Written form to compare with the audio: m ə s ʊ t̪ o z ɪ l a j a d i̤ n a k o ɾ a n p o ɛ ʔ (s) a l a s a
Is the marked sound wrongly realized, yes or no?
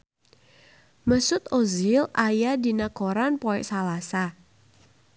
no